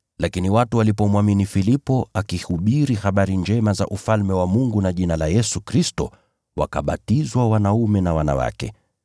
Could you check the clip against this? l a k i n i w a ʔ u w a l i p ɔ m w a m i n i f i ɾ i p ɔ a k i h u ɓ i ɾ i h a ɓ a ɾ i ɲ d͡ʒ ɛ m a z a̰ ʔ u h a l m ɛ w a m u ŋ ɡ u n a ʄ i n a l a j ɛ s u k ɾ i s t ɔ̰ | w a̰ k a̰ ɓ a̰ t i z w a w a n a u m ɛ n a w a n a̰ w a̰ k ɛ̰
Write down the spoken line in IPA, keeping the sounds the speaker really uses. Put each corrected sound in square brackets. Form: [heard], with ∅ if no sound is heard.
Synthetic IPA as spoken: l a k i n i w a [t] u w a l i p ɔ m w a m i n i f i [l] i p ɔ a k i h u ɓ i ɾ i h a ɓ a ɾ i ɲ d͡ʒ ɛ m a z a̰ ʔ u [f] a l m ɛ w a m u ŋ ɡ u n a ʄ i n a l a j ɛ s u k ɾ i s t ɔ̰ | w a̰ k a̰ ɓ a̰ t i z w a w a n a u m ɛ n a w a n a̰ w a̰ k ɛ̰